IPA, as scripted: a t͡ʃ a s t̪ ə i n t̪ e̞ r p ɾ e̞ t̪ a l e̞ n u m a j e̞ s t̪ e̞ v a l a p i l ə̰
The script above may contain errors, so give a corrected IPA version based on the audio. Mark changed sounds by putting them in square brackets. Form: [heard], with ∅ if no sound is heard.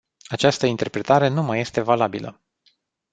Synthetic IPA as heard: a t͡ʃ a s t̪ ə i n t̪ e̞ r p ɾ e̞ t̪ a [ɾ] e̞ n u m a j e̞ s t̪ e̞ v a l a [b] i l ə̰

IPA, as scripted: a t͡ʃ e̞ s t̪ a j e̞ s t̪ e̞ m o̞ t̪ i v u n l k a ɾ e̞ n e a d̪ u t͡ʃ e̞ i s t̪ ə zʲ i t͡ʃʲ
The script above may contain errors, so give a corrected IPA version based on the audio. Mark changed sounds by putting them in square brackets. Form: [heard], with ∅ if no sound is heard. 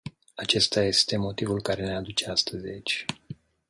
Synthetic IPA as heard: a t͡ʃ e̞ s t̪ a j e̞ s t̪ e̞ m o̞ t̪ i v u [∅] l k a ɾ e̞ n e a d̪ u t͡ʃ e̞ [a] s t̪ ə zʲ i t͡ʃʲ

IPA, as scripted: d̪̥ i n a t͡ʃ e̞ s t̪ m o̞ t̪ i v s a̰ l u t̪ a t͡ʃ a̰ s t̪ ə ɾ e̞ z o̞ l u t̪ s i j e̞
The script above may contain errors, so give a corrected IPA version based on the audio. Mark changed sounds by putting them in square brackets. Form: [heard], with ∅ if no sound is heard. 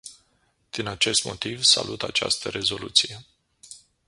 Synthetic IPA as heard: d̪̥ i n a t͡ʃ e̞ s t̪ m o̞ t̪ i v s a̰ l u t̪ a t͡ʃ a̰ s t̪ ə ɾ e̞ z o̞ l u t̪ s i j e̞

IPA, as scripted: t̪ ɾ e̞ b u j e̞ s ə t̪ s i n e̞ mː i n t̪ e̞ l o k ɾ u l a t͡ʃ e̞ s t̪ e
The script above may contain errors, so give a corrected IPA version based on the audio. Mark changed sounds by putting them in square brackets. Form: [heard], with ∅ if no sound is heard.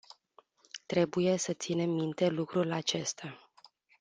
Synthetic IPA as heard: t̪ ɾ e̞ b u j e̞ s ə t̪ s i n e̞ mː i n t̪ e̞ l [u] k ɾ u l a t͡ʃ e̞ s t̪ [a]

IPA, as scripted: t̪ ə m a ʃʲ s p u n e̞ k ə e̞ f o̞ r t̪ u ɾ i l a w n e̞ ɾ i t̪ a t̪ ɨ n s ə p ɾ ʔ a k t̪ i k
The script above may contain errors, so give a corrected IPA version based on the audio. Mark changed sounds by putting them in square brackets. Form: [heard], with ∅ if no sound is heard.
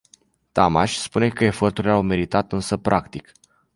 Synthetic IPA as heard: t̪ [a] m a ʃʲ s p u n e̞ k ə e̞ f o̞ r t̪ u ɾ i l a w [m] e̞ ɾ i t̪ a t̪ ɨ n s ə p ɾ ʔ a k t̪ i k

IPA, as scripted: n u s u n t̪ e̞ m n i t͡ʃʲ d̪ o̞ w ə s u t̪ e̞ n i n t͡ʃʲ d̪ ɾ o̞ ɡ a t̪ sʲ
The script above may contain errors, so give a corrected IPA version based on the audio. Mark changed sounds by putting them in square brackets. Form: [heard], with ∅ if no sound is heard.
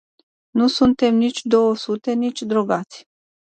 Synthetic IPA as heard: n u s u n t̪ e̞ m n i t͡ʃʲ d̪ o̞ w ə s u t̪ e̞ n i [∅] t͡ʃʲ d̪ ɾ o̞ ɡ a t̪ sʲ

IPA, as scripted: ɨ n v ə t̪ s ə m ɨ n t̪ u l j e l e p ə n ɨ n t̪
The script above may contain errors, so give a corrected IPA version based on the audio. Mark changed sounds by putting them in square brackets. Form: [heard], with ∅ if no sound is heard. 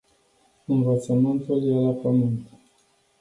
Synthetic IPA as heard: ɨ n v ə t̪ s ə m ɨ n t̪ u l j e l [a] p ə [m] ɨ n t̪

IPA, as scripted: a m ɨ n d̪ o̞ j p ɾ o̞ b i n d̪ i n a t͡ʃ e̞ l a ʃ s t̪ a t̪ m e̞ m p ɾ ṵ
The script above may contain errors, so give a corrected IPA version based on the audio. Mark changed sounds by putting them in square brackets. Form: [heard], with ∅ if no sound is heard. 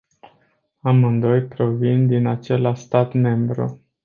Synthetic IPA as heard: a m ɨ n d̪ o̞ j p ɾ o̞ [v] i n d̪ i n a t͡ʃ e̞ l a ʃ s t̪ a t̪ m e̞ m [b] ɾ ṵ

